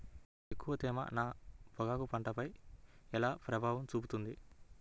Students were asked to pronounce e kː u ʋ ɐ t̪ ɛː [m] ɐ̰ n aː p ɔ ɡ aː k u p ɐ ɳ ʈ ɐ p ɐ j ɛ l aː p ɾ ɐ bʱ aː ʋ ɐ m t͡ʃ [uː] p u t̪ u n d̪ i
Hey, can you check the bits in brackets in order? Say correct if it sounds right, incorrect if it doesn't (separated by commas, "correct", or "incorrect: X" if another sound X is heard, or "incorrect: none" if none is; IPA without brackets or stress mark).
correct, correct